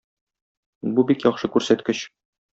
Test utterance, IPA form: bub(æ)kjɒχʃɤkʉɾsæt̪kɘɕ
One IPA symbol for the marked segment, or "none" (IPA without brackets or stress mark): i